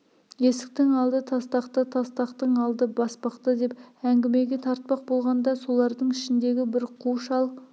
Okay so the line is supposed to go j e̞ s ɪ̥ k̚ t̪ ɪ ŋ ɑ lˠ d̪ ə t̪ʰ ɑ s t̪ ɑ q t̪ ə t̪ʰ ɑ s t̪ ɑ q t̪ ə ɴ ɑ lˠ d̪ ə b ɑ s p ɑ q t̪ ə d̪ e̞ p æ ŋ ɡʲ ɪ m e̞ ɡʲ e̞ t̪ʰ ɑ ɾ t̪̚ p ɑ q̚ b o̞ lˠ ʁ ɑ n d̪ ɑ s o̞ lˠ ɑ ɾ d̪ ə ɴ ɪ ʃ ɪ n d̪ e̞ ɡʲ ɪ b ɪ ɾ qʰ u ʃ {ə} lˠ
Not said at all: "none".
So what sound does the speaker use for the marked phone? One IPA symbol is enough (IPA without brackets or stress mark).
ɑ